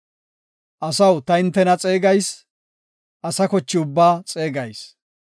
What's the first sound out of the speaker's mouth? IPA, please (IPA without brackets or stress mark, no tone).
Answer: ʔ